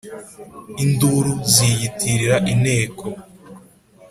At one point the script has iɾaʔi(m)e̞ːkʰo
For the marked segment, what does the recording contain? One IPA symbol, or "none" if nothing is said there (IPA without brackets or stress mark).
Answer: n